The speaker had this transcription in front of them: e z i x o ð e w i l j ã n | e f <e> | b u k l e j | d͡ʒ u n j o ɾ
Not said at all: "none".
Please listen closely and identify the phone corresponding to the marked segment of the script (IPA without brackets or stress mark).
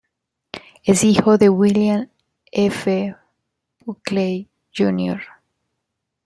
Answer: e